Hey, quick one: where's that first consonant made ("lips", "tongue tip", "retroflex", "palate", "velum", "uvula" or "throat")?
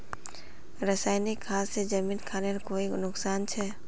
tongue tip